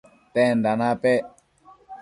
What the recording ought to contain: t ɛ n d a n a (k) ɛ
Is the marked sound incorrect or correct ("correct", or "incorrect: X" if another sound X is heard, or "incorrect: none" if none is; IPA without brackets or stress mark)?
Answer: incorrect: p